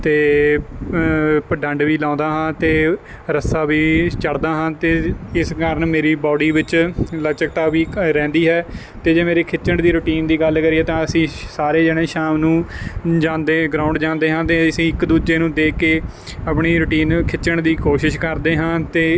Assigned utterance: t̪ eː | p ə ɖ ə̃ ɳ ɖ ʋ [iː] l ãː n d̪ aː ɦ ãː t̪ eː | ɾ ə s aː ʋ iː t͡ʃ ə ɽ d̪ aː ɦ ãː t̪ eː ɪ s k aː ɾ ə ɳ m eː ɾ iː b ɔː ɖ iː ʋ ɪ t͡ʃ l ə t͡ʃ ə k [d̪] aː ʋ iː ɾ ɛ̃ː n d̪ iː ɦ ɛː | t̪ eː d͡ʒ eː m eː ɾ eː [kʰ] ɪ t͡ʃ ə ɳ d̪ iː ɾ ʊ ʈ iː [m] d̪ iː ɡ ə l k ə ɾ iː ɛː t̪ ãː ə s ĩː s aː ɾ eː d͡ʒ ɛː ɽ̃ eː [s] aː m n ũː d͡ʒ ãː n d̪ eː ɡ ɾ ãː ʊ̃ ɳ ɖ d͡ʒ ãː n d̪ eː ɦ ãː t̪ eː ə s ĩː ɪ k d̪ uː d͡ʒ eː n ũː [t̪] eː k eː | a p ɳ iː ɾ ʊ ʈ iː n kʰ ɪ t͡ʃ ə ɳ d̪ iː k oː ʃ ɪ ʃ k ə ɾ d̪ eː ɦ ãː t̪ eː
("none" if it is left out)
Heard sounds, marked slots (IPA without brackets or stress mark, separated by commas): iː, t̪, kʰ, n, ʃ, d̪